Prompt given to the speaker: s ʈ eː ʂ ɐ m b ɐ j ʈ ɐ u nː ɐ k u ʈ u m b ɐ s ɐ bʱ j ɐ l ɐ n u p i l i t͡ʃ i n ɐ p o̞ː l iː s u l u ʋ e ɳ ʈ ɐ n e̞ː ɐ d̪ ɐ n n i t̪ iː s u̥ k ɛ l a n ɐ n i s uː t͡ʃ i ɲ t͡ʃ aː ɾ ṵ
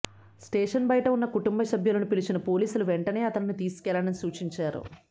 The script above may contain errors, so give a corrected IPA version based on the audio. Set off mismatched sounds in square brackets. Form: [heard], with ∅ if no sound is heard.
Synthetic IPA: s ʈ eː ʂ ɐ [n] b ɐ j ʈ ɐ u nː ɐ k u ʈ u m b ɐ s ɐ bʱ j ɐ l ɐ n u p i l i t͡ʃ i n ɐ p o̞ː l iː s u l u ʋ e ɳ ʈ ɐ n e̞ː ɐ [t̪] ɐ n n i t̪ iː s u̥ k ɛ l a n ɐ n i s uː t͡ʃ i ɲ t͡ʃ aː ɾ ṵ